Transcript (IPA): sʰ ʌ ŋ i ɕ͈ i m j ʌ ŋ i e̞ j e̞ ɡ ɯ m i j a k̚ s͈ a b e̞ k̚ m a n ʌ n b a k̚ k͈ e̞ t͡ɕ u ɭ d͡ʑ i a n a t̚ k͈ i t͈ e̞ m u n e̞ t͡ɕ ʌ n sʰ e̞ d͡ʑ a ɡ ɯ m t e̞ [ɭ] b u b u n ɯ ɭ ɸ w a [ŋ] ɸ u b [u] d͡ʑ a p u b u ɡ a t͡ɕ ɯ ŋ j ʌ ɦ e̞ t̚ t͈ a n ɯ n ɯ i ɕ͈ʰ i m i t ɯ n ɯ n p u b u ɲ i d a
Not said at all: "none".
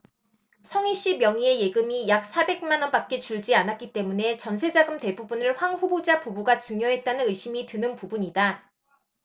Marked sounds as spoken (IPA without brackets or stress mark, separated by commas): none, ŋ, o